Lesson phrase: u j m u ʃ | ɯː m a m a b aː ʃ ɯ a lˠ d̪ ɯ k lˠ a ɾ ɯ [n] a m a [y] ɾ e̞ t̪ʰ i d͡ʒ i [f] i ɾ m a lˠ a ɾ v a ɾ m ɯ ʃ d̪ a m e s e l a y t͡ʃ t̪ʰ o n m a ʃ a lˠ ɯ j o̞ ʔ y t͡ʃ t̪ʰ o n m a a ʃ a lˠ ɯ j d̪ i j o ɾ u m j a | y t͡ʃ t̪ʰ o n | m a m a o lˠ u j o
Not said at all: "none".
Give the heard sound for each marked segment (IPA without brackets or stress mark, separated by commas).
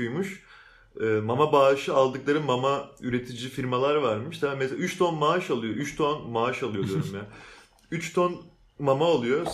m, y, f